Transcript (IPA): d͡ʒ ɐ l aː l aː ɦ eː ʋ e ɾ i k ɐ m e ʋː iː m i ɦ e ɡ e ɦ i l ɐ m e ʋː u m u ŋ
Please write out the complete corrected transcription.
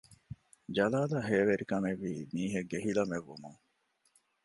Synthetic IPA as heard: d͡ʒ ɐ l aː l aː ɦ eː ʋ e ɾ i k ɐ m e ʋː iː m iː ɦ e ɡ e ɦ i l ɐ m e ʋː u m u ŋ